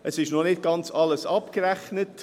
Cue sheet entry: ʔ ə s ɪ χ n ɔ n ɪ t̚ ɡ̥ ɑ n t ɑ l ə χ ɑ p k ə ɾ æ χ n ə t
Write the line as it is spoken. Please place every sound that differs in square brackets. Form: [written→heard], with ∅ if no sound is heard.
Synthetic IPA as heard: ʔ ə s ɪ [χ→ʃ] n ɔ n ɪ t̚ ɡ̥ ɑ n [t→t͡s] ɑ l ə [χ→s] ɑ p k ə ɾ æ χ n ə t